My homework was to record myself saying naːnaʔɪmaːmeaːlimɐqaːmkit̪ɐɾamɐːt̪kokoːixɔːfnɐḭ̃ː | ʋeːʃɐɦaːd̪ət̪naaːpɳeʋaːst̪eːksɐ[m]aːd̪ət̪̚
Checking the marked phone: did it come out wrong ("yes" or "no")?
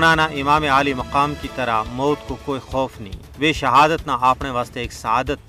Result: yes